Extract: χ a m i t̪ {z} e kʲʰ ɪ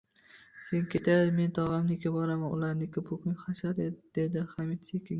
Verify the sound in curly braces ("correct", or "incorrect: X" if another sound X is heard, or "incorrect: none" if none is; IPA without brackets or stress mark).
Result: incorrect: s